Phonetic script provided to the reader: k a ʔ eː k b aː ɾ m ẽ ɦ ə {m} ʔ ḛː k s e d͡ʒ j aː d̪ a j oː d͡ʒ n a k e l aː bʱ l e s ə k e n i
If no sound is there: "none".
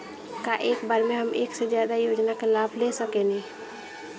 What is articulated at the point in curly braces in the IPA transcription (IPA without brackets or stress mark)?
m